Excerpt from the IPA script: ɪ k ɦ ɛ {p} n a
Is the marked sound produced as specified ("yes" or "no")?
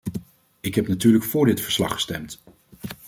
yes